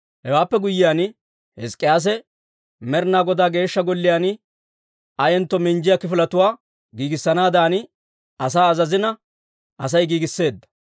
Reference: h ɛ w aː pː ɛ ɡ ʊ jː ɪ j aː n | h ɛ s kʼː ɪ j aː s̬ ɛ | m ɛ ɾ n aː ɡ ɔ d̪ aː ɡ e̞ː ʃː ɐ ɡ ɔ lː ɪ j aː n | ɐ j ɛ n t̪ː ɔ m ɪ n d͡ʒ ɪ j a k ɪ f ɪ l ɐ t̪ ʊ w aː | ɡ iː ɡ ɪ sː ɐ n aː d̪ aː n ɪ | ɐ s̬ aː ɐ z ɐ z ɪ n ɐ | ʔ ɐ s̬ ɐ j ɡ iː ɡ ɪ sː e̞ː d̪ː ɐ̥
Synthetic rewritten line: h ɛ w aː pː ɛ ɡ ʊ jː ɪ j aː n | h ɛ s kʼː ɪ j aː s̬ ɛ | m ɛ ɾ n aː ɡ ɔ d̪ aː ɡ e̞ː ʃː ɐ ɡ ɔ lː ɪ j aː n | ɐ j ɛ n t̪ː ɔ m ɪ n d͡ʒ ɪ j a k ɪ f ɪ l ɐ t̪ ʊ w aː | ɡ iː ɡ ɪ sː ɐ n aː d̪ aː n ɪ | ɐ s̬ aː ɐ z ɐ z ɪ n ɐ | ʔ ɐ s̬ ɐ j ɡ iː ɡ ɪ sː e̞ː d̪ː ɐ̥